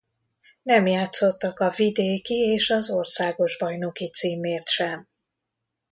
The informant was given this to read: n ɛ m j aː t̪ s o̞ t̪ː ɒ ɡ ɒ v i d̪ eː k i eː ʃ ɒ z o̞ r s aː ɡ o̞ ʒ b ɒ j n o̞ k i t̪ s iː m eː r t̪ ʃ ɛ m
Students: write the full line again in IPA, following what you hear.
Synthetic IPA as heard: n ɛ m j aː t̪ s o̞ t̪ː ɒ k ɒ v i d̪ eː k i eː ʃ ɒ z o̞ r s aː ɡ o̞ ʒ b ɒ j n o̞ k i t̪ s iː m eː r t̪ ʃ ɛ m